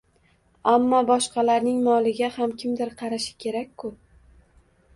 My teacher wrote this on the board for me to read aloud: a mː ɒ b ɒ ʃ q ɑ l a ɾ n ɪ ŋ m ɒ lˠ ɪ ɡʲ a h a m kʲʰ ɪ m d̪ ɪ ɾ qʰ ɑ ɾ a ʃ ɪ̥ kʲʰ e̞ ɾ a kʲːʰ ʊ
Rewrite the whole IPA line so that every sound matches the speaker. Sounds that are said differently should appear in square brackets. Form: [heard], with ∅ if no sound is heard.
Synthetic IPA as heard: a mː ɒ b ɒ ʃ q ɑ l a ɾ n ɪ ŋ m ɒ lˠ ɪ ɡʲ a h a m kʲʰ ɪ m d̪ ɪ ɾ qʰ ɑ ɾ a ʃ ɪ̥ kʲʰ e̞ ɾ a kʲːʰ ʊ

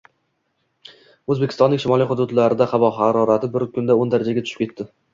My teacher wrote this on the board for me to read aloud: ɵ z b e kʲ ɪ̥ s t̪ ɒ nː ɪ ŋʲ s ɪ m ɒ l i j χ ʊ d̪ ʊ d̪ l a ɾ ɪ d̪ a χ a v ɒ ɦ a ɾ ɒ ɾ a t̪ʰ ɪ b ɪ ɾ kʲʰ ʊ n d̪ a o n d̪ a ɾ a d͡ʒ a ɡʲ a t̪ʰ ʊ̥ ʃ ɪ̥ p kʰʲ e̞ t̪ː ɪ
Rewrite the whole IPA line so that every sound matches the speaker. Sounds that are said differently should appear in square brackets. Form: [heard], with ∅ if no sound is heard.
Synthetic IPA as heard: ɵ z b e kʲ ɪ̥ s t̪ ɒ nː ɪ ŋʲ [ʃ] ɪ m ɒ l i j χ ʊ d̪ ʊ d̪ l a ɾ ɪ d̪ a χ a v ɒ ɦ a ɾ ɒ ɾ a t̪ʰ ɪ b ɪ ɾ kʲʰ ʊ n d̪ a o n d̪ a ɾ a d͡ʒ a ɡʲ a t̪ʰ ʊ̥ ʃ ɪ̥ p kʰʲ e̞ t̪ː ɪ

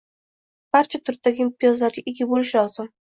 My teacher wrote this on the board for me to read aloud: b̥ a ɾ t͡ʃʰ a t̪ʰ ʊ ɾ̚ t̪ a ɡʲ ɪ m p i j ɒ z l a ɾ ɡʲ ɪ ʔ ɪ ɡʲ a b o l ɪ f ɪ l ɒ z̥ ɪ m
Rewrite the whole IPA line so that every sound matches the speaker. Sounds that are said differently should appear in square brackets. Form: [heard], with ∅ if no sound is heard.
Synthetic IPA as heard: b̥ a ɾ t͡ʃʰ a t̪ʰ ʊ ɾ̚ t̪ a ɡʲ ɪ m p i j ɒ z l a ɾ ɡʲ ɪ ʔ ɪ ɡʲ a b o l ɪ [ʃ] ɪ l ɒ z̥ ɪ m

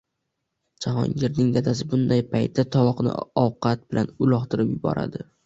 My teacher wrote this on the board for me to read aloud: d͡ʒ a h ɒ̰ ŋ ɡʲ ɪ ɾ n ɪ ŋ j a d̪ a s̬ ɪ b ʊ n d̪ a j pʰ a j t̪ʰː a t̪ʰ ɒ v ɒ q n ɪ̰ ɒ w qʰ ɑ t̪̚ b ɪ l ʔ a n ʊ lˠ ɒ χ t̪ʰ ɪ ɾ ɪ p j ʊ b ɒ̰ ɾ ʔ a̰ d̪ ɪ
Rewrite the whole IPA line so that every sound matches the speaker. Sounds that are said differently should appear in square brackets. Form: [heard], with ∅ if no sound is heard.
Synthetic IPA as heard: d͡ʒ a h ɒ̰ ŋ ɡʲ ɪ ɾ n ɪ ŋ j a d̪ a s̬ ɪ b ʊ n d̪ a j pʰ a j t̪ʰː a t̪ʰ ɒ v ɒ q n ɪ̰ ɒ w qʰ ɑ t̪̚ b ɪ l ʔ a n ʊ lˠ ɒ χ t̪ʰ ɪ ɾ ɪ p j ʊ b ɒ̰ ɾ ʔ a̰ d̪ ɪ

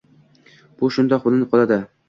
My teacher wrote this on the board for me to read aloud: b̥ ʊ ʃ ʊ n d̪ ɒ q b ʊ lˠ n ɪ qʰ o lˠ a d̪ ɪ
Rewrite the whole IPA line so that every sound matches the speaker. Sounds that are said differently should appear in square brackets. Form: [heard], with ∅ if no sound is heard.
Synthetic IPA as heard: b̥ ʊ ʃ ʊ n d̪ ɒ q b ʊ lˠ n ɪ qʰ [ɒ] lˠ a d̪ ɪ

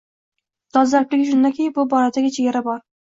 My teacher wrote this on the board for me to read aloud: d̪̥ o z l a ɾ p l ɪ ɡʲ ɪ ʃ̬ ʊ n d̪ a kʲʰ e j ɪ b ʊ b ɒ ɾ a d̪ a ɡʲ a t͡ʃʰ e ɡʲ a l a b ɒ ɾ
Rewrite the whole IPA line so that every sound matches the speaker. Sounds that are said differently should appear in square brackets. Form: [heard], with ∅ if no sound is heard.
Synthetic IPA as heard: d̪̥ [ɒ] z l a ɾ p l ɪ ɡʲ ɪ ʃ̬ ʊ n d̪ a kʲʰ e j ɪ b ʊ b ɒ ɾ a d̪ a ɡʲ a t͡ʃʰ e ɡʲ a [ɾ] a b ɒ ɾ

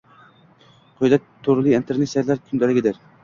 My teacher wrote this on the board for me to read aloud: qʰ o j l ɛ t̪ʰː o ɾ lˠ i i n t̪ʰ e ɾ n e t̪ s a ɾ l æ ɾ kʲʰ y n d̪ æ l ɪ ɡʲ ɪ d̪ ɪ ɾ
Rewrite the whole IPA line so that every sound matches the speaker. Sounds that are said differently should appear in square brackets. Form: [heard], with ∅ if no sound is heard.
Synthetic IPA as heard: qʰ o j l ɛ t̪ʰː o ɾ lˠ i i n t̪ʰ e ɾ n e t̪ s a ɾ l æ ɾ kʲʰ y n d̪ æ l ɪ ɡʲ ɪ d̪ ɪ ɾ

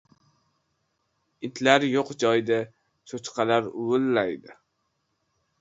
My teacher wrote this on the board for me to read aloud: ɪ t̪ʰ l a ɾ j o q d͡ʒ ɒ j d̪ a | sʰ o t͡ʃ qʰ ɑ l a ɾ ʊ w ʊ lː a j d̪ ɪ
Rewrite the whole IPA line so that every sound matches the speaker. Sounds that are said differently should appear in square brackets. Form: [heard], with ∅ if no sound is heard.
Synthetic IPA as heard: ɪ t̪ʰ l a ɾ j o q d͡ʒ ɒ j d̪ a | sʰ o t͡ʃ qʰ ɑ l a ɾ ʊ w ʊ lː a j d̪ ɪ

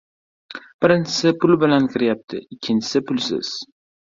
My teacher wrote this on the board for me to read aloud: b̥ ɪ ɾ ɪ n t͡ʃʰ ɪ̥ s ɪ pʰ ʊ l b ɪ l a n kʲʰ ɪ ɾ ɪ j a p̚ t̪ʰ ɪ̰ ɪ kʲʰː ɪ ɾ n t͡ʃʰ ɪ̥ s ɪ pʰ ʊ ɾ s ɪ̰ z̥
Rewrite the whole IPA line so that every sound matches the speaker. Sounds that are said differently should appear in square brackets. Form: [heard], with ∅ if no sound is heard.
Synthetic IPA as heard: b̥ ɪ ɾ ɪ n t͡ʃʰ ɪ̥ s ɪ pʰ ʊ l b ɪ l a n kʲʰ ɪ ɾ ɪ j a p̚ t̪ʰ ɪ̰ ɪ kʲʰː ɪ [∅] n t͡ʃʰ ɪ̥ s ɪ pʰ ʊ [l] s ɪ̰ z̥

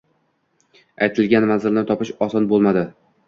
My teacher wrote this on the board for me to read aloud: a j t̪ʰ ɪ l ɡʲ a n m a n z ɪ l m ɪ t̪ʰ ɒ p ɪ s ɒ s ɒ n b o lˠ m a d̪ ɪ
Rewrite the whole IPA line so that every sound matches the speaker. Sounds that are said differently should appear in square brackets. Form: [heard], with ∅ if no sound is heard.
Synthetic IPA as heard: a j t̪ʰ ɪ l ɡʲ a n m a n z ɪ l [n] ɪ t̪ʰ ɒ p ɪ [ʃ] ɒ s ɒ n b o lˠ m a d̪ ɪ

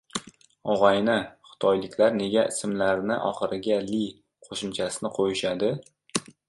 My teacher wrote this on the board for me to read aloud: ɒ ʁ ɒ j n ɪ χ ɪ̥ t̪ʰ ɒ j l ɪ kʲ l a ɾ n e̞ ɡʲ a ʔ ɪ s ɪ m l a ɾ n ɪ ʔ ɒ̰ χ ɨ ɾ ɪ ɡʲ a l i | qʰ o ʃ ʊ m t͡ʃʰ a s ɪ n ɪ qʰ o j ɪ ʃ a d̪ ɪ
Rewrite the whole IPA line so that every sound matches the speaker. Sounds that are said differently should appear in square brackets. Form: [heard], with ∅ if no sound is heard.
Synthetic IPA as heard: ɒ ʁ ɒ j n ɪ χ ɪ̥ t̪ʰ ɒ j l ɪ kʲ l a ɾ n e̞ ɡʲ a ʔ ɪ s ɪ m l a ɾ n ɪ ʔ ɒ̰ χ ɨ ɾ ɪ ɡʲ a l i | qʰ o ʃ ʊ m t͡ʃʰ a s ɪ n ɪ qʰ o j ɪ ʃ a d̪ ɪ

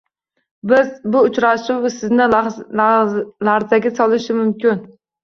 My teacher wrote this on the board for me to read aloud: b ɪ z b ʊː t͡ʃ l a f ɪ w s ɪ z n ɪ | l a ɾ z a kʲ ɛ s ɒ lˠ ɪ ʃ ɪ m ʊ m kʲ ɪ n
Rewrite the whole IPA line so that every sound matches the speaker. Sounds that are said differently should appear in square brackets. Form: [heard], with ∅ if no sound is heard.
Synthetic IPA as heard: b ɪ z b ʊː t͡ʃ [ɾ] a [ʃ] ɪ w s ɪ z n ɪ | l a ɾ z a [ɡʲ] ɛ s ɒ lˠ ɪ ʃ ɪ m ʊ m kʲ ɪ n

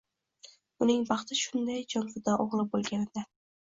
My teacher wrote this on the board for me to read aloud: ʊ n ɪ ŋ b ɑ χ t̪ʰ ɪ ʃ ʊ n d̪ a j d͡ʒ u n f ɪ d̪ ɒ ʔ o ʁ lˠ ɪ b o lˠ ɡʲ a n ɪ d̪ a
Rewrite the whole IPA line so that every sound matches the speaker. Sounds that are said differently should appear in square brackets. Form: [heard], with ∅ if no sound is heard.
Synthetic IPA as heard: ʊ n ɪ ŋ b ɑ χ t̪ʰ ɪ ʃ ʊ n d̪ a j d͡ʒ [ɒ] n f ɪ d̪ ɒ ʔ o ʁ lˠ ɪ b o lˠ ɡʲ a n ɪ d̪ a

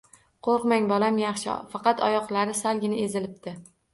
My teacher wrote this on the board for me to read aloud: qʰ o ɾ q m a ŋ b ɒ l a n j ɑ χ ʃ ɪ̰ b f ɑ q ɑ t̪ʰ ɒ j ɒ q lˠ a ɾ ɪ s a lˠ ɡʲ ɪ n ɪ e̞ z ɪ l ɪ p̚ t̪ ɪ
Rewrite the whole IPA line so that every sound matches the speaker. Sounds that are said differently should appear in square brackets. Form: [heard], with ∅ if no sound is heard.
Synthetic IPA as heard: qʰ o ɾ q m a ŋ b ɒ l a [m] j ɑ χ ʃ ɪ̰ [∅] f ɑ q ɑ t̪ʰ ɒ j ɒ q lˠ a ɾ ɪ s a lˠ ɡʲ ɪ n ɪ e̞ z ɪ l ɪ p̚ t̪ ɪ

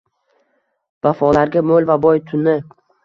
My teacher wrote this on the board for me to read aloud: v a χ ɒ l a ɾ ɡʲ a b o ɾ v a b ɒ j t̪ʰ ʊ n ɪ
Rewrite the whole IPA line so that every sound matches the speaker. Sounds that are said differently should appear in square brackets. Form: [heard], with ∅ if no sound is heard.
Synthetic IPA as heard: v a [f] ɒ l a ɾ ɡʲ a [m] o [l] v a b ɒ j t̪ʰ ʊ n ɪ

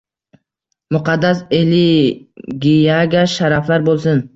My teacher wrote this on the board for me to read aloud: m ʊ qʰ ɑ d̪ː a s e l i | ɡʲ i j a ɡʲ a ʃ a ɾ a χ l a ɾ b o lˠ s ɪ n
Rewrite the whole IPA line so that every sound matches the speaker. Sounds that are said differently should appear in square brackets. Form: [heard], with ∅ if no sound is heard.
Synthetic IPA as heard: m ʊ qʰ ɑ d̪ː a s e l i | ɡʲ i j a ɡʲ a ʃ a ɾ a [f] l a ɾ b o lˠ s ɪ n

